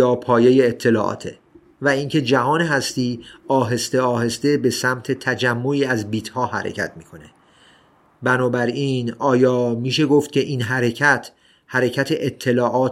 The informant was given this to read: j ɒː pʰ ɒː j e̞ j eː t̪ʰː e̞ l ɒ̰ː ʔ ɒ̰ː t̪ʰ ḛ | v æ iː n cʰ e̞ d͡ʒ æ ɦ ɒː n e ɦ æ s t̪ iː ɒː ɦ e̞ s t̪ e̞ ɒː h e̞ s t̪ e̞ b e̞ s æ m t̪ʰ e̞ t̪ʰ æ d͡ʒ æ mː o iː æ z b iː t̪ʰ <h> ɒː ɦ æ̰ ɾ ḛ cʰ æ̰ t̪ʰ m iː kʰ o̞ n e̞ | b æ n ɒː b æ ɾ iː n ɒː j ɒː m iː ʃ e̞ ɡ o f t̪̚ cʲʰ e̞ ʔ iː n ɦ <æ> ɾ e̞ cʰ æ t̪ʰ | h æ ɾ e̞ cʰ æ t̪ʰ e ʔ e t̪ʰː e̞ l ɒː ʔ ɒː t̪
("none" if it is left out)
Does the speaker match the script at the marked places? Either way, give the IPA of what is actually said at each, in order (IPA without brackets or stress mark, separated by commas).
h, æ